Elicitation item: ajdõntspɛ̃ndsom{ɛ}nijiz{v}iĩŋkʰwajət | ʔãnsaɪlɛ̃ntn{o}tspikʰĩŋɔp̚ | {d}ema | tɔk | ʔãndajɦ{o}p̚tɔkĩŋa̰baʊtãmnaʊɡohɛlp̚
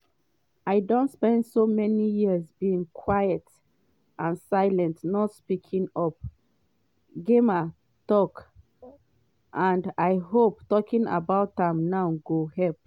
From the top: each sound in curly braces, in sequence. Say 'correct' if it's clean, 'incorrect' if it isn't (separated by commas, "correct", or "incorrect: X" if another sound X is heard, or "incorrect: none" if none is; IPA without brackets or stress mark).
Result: correct, incorrect: b, incorrect: ɔ, incorrect: ɡ, correct